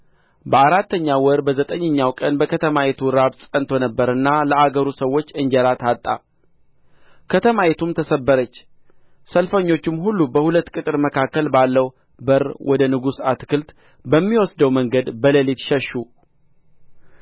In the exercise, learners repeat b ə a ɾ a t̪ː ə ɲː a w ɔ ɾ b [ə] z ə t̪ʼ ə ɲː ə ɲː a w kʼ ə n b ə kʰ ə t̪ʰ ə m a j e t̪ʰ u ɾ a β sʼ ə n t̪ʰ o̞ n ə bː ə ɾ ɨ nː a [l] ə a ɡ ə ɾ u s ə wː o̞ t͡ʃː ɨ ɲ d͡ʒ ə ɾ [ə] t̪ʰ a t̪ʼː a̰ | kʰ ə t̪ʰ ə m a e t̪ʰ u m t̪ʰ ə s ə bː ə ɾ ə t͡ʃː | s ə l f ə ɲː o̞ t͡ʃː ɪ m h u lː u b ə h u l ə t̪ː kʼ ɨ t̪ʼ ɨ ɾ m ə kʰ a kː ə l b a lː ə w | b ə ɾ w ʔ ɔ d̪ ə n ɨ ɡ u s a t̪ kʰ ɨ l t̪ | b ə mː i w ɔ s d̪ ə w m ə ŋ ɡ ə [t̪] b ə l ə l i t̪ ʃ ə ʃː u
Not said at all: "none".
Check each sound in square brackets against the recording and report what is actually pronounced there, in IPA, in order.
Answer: ə, l, a, d̪

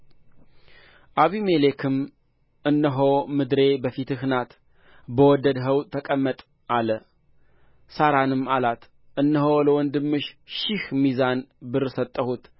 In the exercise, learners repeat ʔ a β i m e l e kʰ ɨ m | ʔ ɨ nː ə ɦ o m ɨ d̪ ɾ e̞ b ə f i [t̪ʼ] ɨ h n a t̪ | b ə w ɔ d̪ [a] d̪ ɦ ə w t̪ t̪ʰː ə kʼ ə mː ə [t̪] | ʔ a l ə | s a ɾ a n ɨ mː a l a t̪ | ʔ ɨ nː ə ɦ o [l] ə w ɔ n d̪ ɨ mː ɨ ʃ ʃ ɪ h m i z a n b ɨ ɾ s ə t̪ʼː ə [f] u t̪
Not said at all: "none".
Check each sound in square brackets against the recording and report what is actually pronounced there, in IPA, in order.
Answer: t̪, ə, t̪ʼ, l, h

